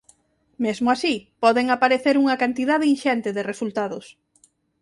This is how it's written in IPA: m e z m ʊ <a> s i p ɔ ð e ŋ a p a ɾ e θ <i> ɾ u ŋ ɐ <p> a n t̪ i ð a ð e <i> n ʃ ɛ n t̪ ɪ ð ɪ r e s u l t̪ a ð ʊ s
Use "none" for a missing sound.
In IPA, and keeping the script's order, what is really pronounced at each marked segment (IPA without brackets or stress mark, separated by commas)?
a, e, k, i